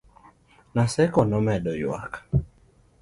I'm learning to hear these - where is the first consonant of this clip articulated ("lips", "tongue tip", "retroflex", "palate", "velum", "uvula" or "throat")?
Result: tongue tip